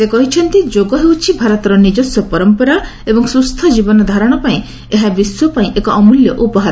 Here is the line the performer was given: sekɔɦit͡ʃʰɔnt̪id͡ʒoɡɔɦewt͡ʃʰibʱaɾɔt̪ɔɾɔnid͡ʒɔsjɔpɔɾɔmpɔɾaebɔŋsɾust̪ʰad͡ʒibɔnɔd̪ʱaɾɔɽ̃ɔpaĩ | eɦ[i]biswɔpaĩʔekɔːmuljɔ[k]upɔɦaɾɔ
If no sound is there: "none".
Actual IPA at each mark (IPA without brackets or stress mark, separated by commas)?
a, ʔ